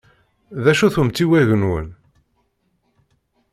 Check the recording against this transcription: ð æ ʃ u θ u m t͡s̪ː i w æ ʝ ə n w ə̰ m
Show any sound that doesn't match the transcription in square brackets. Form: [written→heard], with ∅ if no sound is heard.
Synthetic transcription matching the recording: ð æ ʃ u θ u m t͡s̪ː i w æ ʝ ə n w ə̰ [m→n]